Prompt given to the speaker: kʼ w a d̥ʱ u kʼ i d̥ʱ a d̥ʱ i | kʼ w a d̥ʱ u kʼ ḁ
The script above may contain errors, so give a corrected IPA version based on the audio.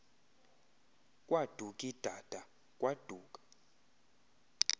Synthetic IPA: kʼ w a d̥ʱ u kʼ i d̥ʱ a d̥ʱ a | kʼ w a d̥ʱ uː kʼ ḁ